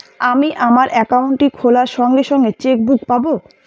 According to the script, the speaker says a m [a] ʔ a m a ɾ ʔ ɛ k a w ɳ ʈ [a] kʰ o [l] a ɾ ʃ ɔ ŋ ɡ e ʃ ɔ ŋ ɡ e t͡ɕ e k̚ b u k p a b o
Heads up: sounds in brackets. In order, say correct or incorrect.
incorrect: i, incorrect: i, correct

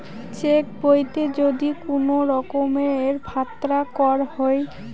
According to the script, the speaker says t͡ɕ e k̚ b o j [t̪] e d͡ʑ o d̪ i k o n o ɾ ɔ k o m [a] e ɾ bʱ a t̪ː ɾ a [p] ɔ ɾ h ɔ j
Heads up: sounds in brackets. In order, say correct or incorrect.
correct, incorrect: e, incorrect: k

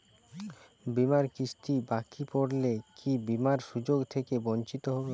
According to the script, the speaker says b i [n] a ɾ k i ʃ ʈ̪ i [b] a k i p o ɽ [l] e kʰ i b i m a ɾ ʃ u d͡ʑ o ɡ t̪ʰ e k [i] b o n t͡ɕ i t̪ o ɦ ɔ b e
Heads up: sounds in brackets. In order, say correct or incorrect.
incorrect: m, correct, correct, incorrect: e

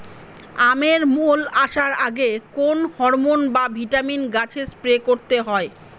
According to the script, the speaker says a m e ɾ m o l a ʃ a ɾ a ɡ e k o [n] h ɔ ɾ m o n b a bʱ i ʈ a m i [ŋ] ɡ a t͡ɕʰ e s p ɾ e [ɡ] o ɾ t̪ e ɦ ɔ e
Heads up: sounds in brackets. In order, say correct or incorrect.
correct, incorrect: n, incorrect: k

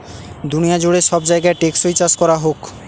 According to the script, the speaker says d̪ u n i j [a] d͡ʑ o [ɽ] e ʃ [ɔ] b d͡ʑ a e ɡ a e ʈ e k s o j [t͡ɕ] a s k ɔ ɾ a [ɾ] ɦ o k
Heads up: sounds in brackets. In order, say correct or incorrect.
correct, correct, correct, correct, incorrect: none

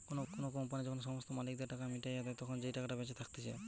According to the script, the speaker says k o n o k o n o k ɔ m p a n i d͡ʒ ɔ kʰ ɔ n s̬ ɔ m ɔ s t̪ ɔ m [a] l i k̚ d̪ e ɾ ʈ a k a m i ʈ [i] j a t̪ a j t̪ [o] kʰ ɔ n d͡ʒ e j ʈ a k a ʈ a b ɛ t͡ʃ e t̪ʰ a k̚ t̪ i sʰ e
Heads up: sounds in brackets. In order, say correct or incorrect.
correct, incorrect: a, incorrect: ɔ

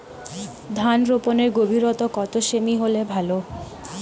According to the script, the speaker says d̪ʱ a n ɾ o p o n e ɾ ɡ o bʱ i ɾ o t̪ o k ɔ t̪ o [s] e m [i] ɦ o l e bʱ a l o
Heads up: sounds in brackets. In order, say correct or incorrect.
incorrect: ʃ, correct

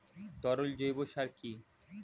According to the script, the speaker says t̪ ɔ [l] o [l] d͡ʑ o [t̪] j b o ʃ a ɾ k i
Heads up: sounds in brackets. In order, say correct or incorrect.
incorrect: ɾ, correct, incorrect: none

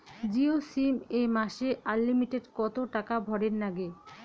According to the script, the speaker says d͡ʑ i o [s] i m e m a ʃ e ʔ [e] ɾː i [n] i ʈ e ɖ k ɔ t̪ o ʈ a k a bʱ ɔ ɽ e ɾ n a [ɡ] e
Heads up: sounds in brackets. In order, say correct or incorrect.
correct, incorrect: a, incorrect: m, correct

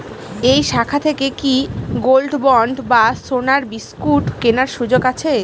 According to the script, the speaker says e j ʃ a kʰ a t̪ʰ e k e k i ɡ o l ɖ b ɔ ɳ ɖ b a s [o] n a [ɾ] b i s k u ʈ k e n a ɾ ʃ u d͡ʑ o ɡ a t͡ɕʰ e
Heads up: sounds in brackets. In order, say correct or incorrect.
correct, correct

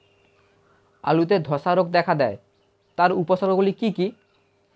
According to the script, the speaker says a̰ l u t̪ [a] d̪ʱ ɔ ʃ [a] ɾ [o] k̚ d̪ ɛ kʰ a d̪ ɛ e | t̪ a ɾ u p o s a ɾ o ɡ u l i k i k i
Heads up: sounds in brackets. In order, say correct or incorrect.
incorrect: e, correct, correct

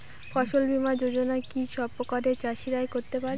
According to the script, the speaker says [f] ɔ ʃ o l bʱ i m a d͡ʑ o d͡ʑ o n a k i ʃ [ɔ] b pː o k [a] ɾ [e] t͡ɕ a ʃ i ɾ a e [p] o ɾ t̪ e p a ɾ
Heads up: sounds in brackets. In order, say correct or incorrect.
correct, correct, correct, correct, incorrect: k

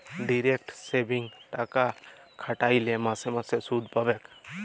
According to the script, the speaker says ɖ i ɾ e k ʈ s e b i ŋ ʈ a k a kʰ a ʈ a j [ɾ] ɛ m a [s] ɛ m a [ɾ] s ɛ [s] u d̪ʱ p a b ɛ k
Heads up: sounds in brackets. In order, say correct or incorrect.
incorrect: l, correct, incorrect: none, correct

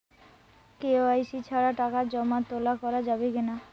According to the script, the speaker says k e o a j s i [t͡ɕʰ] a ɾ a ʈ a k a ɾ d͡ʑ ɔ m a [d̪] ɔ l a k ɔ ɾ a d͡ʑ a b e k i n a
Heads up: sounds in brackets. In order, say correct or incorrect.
correct, incorrect: t̪

